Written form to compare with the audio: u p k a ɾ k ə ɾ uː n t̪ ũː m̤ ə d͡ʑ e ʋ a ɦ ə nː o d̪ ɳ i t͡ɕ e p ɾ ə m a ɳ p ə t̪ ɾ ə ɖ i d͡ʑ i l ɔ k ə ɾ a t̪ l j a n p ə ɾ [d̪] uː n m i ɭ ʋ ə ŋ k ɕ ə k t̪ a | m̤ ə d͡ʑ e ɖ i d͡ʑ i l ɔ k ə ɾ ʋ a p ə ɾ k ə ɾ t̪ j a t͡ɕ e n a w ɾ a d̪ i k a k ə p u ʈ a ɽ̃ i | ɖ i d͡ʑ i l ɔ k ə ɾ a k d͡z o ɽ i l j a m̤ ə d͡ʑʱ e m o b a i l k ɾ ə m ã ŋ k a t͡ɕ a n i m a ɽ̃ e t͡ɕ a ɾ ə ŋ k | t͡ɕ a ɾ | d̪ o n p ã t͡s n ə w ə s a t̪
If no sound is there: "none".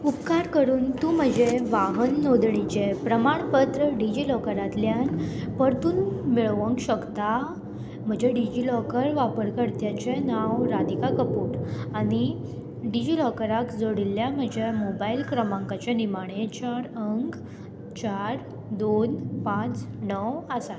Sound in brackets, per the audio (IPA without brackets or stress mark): t̪